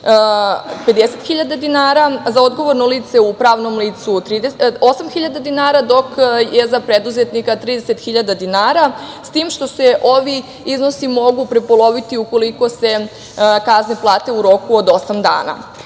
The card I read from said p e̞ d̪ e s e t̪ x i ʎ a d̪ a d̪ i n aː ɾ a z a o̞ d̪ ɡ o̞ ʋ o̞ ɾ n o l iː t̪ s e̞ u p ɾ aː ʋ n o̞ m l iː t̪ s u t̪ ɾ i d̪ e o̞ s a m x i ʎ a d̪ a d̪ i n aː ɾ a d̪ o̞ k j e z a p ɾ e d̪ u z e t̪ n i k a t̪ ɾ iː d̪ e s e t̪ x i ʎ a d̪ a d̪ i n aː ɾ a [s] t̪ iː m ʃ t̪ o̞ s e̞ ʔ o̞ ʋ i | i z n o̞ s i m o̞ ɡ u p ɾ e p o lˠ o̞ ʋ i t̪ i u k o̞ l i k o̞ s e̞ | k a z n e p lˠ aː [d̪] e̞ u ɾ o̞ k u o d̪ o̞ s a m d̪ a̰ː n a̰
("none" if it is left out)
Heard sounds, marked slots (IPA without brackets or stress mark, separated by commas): s, t̪